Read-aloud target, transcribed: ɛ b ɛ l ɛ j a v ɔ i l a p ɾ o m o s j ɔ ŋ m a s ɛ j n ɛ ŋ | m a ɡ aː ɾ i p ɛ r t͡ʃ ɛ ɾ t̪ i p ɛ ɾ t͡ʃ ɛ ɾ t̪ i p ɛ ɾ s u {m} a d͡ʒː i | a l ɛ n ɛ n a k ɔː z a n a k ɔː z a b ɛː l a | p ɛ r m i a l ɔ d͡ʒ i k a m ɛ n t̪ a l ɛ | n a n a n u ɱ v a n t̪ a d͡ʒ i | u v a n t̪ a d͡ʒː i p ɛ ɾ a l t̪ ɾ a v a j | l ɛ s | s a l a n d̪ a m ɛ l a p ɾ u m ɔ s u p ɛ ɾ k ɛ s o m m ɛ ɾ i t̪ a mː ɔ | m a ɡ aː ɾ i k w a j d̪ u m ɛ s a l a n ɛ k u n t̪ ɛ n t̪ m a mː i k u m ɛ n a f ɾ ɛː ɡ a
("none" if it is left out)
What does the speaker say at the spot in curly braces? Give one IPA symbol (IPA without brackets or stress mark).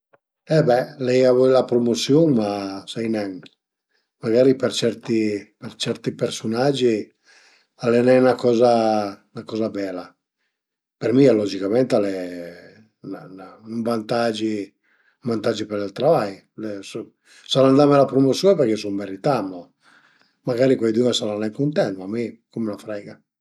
n